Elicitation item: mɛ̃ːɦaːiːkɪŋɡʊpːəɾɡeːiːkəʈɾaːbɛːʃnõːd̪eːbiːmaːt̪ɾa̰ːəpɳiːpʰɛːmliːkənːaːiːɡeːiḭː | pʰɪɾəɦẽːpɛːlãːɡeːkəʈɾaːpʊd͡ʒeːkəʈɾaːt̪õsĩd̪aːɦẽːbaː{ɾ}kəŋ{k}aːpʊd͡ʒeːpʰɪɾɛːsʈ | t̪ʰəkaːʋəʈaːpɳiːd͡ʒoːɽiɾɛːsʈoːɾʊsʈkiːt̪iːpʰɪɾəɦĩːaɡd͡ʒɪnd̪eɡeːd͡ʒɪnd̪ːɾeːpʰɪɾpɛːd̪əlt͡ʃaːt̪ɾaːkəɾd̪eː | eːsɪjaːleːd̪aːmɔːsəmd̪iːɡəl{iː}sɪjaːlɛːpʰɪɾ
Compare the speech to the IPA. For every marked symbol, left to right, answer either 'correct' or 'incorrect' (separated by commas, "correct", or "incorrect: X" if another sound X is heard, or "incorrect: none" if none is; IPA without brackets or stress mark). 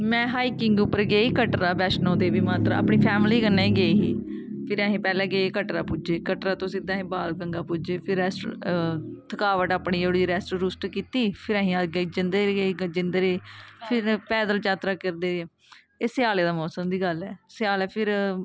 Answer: incorrect: l, incorrect: ɡ, incorrect: ɛː